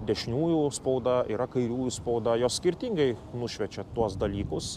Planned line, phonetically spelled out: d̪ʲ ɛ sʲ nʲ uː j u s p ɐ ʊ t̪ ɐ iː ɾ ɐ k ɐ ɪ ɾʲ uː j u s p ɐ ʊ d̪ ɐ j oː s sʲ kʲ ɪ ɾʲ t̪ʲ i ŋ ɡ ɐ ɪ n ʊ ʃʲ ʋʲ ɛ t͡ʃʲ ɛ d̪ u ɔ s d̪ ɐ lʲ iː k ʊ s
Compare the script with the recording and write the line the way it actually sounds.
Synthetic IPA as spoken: d̪ʲ ɛ ʃʲ nʲ uː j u s p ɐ ʊ d̪ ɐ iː ɾ ɐ k ɐ ɪ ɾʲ uː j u s p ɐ ʊ d̪ ɐ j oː s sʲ kʲ ɪ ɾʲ t̪ʲ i ŋ ɡ ɐ ɪ n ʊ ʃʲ ʋʲ ɛ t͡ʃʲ ɛ t̪ u ɔ s d̪ ɐ lʲ iː k ʊ s